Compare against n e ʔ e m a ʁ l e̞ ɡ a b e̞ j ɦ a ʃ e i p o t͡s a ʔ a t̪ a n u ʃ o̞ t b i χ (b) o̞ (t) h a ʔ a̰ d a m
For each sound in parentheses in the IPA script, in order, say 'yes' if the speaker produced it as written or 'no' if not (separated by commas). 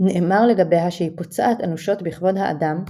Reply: no, no